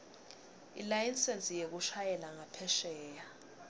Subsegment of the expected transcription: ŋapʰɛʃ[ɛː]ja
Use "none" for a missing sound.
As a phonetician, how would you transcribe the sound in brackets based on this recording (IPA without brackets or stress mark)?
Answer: ɛː